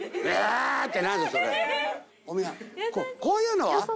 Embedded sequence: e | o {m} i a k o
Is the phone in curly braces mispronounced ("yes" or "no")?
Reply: no